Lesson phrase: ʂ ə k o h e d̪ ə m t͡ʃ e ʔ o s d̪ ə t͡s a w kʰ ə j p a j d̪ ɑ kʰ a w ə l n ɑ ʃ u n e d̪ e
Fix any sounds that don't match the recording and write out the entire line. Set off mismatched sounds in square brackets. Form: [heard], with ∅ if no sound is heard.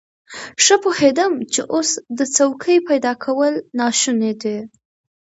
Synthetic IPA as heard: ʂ ə [p] o h e d̪ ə m t͡ʃ e ʔ o s d̪ ə t͡s a w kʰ ə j p a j d̪ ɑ kʰ a w ə l n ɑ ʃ u n e d̪ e